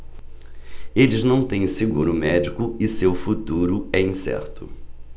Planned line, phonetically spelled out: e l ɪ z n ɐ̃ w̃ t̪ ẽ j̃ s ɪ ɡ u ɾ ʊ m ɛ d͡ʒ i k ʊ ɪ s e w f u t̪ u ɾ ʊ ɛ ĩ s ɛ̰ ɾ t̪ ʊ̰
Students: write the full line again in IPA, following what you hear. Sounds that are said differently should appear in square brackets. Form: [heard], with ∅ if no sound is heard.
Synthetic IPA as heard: e l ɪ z n ɐ̃ w̃ t̪ ẽ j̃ s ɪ ɡ u ɾ ʊ m ɛ d͡ʒ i k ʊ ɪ s e w f u t̪ u ɾ ʊ ɛ ĩ s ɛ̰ ɾ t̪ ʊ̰